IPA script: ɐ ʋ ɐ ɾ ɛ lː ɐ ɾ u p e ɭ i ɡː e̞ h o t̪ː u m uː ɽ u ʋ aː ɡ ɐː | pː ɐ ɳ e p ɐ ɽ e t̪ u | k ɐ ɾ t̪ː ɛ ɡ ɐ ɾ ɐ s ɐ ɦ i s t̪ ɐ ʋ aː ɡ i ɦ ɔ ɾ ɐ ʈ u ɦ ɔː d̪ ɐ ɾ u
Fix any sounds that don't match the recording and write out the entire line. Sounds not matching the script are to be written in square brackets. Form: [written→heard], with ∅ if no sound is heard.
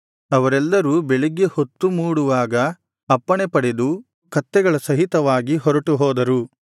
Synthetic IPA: ɐ ʋ ɐ ɾ ɛ lː ɐ ɾ u [p→b] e ɭ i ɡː e̞ h o t̪ː u m uː ɽ u ʋ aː ɡ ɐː | pː ɐ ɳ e p ɐ ɽ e [t̪→d̪] u | k ɐ [ɾ→∅] t̪ː ɛ ɡ ɐ [ɾ→ɭ] ɐ s ɐ ɦ i [s→∅] t̪ ɐ ʋ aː ɡ i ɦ ɔ ɾ ɐ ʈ u ɦ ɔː d̪ ɐ ɾ u

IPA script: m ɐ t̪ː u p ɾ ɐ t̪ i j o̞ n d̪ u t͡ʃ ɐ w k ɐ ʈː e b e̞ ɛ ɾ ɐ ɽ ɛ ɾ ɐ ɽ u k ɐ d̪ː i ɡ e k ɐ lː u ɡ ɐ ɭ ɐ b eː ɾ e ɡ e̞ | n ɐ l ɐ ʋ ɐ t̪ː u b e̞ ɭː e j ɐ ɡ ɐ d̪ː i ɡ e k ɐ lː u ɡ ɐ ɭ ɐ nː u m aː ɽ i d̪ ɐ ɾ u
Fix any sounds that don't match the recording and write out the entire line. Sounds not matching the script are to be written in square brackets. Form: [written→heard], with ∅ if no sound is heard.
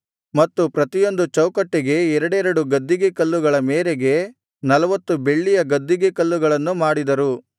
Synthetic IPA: m ɐ t̪ː u p ɾ ɐ t̪ i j o̞ n d̪ u t͡ʃ ɐ w k ɐ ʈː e [b→ɡ] e̞ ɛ ɾ ɐ ɽ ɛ ɾ ɐ ɽ u [k→ɡ] ɐ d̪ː i ɡ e k ɐ lː u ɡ ɐ ɭ ɐ [b→m] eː ɾ e ɡ e̞ | n ɐ l ɐ ʋ ɐ t̪ː u b e̞ ɭː [e→i] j ɐ ɡ ɐ d̪ː i ɡ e k ɐ lː u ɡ ɐ ɭ ɐ nː u m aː ɽ i d̪ ɐ ɾ u

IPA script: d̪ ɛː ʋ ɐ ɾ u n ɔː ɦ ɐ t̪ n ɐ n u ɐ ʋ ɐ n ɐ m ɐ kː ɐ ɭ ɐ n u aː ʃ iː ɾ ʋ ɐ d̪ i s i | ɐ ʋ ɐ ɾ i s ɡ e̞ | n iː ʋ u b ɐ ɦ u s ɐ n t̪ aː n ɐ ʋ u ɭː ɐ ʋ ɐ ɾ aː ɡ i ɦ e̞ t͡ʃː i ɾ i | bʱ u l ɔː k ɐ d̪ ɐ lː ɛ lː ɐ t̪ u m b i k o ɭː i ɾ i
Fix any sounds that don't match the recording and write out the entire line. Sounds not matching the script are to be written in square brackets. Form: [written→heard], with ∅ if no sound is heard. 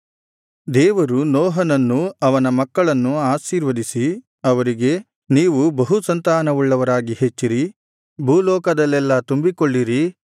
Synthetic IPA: d̪ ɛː ʋ ɐ ɾ u n ɔː ɦ ɐ [t̪→∅] n ɐ [n→nː] u ɐ ʋ ɐ n ɐ m ɐ kː ɐ ɭ ɐ [n→nː] u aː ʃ iː ɾ ʋ ɐ d̪ i s i | ɐ ʋ ɐ ɾ i [s→∅] ɡ e̞ | n iː ʋ u b ɐ ɦ u s ɐ n t̪ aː n ɐ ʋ u ɭː ɐ ʋ ɐ ɾ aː ɡ i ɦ e̞ t͡ʃː i ɾ i | bʱ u l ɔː k ɐ d̪ ɐ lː ɛ lː ɐ t̪ u m b i k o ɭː i ɾ i

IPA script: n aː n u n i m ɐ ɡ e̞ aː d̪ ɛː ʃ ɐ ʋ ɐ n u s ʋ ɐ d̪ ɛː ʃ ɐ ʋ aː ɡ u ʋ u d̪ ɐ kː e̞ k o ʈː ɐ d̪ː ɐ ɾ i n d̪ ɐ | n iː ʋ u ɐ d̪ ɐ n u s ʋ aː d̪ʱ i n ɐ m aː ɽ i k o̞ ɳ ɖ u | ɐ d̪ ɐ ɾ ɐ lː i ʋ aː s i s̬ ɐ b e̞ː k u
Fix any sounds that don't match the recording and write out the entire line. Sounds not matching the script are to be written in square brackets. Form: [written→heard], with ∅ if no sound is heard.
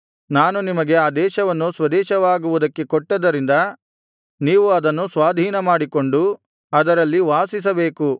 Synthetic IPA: n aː n u n i m ɐ ɡ e̞ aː d̪ ɛː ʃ ɐ ʋ ɐ [n→nː] u s ʋ ɐ d̪ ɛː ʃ ɐ ʋ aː ɡ u ʋ u d̪ ɐ kː e̞ k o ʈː ɐ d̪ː ɐ ɾ i n d̪ ɐ | n iː ʋ u ɐ d̪ ɐ [n→nː] u s ʋ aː d̪ʱ [i→iː] n ɐ m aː ɽ i k o̞ ɳ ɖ u | ɐ d̪ ɐ ɾ ɐ lː i ʋ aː s i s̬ ɐ b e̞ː k u

